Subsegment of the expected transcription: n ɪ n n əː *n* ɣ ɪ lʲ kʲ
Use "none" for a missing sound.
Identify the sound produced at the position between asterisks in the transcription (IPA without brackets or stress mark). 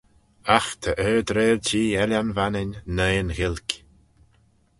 n